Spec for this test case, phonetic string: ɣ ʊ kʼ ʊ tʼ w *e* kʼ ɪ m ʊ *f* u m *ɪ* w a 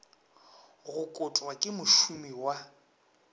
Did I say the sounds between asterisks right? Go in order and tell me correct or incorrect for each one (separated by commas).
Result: incorrect, incorrect, incorrect